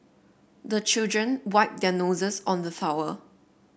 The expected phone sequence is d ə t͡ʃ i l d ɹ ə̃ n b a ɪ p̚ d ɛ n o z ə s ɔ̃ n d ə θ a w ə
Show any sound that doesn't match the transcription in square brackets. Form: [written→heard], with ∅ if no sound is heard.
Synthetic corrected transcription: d ə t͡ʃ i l d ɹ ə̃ n [b→w] a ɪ p̚ d ɛ n o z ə s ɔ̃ n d ə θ a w ə